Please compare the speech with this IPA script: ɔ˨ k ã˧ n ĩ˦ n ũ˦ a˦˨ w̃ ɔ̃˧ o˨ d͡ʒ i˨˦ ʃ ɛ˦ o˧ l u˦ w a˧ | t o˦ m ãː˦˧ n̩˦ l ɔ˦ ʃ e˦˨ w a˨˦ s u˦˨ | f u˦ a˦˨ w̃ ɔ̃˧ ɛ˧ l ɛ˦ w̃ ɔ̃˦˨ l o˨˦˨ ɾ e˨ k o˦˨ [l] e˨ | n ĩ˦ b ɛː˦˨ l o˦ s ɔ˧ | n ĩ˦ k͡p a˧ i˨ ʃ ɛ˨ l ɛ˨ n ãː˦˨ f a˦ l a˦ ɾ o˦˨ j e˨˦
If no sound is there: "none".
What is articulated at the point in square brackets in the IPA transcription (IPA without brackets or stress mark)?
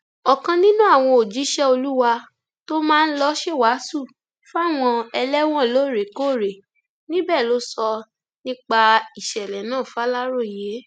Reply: ɾ